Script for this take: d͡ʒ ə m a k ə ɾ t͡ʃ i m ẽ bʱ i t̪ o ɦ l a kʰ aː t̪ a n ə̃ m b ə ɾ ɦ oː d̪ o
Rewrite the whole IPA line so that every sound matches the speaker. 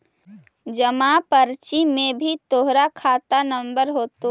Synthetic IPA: d͡ʒ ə m a p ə ɾ t͡ʃ i m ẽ bʱ i t̪ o ɦ ɾ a kʰ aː t̪ a n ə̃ m b ə ɾ ɦ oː t̪ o